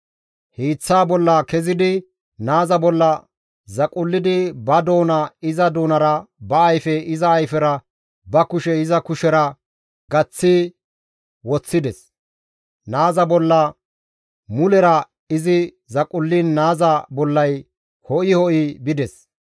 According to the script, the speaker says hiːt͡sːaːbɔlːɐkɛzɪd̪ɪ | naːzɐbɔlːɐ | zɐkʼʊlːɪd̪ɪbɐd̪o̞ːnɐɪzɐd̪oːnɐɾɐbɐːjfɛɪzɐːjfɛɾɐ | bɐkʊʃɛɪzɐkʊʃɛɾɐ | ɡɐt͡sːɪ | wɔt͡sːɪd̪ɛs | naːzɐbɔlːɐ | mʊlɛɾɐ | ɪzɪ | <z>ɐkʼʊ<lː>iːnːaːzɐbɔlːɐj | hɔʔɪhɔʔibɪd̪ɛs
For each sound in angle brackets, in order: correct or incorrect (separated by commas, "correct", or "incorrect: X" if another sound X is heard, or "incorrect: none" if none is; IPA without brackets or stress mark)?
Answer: correct, correct